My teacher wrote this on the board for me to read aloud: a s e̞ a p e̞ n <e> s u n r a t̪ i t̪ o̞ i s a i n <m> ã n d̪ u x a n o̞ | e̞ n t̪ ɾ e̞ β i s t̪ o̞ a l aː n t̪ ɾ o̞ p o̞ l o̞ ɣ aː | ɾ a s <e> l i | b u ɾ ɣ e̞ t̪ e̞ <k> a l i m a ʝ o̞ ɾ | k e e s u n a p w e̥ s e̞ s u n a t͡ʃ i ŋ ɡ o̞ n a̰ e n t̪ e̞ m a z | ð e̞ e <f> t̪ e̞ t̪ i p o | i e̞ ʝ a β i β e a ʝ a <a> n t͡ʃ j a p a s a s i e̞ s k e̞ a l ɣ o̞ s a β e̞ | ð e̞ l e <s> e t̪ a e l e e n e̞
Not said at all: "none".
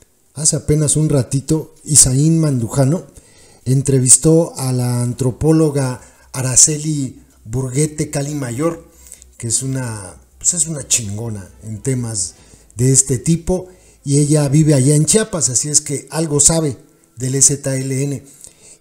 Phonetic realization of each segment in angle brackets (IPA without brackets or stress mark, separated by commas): a, m, e, k, s, e, s